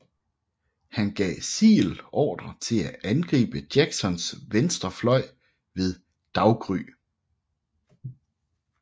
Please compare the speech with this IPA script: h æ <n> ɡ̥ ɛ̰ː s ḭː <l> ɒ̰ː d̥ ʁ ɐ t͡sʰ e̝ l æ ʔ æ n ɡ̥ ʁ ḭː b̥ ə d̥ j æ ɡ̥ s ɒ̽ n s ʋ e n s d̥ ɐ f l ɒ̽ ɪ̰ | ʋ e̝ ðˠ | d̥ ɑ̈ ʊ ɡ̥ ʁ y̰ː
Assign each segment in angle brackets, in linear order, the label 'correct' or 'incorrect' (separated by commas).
correct, correct